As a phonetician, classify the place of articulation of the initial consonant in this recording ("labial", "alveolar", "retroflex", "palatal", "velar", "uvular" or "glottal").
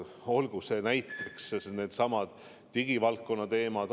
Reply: alveolar